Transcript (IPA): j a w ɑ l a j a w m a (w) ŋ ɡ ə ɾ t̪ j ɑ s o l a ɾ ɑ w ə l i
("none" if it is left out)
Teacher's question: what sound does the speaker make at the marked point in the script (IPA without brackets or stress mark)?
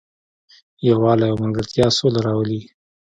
none